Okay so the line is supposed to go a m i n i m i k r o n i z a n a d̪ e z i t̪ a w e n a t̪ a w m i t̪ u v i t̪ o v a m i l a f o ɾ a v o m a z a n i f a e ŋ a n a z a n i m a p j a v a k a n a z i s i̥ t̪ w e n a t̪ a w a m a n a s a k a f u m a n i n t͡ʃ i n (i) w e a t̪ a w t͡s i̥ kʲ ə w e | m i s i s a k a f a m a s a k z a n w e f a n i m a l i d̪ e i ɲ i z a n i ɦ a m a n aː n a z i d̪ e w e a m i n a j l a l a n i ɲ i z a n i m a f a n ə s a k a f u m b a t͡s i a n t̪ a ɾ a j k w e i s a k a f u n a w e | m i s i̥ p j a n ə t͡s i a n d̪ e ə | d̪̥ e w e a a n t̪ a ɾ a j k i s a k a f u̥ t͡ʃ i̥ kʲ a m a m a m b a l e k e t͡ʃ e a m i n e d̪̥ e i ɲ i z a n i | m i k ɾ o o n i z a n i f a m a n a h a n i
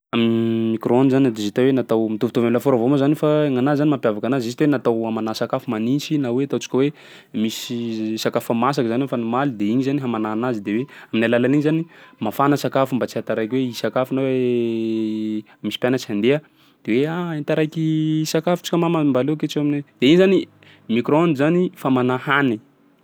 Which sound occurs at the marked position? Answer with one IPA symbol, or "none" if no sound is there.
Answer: a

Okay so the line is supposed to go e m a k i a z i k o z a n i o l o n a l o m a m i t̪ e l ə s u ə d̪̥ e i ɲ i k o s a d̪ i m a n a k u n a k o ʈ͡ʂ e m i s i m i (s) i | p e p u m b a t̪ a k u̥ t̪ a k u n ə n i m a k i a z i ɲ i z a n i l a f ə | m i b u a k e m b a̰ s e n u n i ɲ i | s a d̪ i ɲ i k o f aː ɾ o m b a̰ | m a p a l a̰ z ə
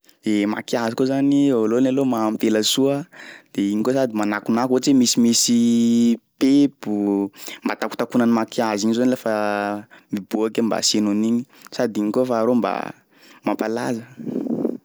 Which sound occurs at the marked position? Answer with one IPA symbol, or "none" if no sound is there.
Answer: s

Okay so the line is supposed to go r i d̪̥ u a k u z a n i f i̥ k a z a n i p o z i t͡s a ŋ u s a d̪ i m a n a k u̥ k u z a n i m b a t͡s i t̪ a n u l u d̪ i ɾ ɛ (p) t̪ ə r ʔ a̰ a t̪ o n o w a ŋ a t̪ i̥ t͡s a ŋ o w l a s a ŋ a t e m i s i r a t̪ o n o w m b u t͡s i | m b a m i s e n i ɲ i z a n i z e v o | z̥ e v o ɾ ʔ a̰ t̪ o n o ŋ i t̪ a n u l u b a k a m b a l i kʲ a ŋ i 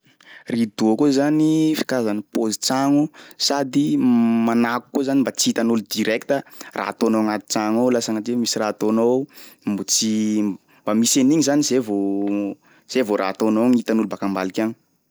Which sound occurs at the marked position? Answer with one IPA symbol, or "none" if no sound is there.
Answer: k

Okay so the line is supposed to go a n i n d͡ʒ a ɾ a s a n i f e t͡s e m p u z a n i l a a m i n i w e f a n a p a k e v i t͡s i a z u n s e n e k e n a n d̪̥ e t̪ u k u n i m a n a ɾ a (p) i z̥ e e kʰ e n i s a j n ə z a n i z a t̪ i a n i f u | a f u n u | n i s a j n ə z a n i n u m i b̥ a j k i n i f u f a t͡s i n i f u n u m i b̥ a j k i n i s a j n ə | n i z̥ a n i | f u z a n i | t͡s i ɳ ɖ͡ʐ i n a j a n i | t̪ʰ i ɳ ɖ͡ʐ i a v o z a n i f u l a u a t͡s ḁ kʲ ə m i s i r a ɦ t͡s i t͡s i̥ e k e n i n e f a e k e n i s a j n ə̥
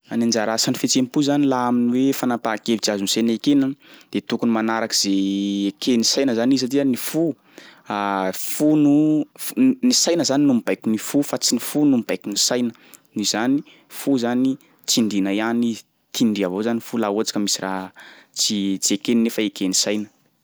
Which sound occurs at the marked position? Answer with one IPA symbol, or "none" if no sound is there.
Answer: k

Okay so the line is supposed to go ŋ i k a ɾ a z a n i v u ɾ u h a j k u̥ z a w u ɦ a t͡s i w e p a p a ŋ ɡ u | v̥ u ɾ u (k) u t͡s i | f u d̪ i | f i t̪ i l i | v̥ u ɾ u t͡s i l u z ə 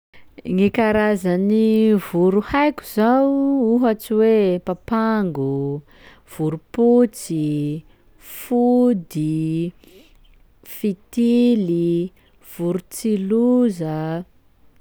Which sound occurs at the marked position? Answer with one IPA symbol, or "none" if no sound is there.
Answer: p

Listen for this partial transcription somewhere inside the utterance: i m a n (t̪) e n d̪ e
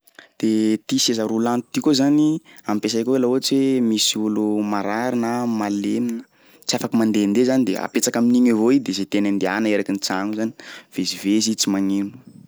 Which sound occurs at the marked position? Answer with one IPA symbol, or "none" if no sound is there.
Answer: d̪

